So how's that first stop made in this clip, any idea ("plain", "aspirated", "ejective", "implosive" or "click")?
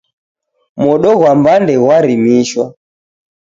implosive